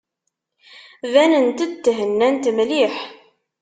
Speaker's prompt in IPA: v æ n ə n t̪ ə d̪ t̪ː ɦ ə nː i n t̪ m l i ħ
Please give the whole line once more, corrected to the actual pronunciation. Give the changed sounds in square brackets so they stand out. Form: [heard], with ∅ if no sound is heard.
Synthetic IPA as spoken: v æ n ə n t̪ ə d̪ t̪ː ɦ ə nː [æ] n t̪ m l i ħ